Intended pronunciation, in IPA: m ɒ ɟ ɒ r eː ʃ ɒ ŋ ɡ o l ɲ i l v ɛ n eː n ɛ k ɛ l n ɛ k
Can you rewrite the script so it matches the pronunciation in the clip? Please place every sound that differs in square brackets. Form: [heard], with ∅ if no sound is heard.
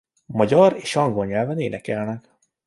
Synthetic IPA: m ɒ ɟ ɒ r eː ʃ ɒ ŋ ɡ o l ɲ [ɛ] l v ɛ n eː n ɛ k ɛ l n ɛ k